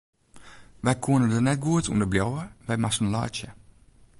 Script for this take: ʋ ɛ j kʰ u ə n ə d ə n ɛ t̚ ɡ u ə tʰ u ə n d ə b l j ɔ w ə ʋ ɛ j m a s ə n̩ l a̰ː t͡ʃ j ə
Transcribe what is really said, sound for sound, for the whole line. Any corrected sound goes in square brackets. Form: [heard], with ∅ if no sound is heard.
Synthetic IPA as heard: ʋ ɛ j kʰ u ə n ə d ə n ɛ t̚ ɡ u ə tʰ u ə n d ə b l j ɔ w ə ʋ ɛ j m a s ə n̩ l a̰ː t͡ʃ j ə